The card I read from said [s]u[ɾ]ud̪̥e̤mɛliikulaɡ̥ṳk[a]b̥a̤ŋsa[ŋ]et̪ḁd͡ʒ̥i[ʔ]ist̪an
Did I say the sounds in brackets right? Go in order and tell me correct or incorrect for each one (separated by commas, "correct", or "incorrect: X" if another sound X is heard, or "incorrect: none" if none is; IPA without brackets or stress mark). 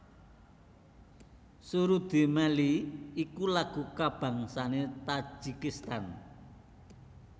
correct, correct, correct, incorrect: n, incorrect: k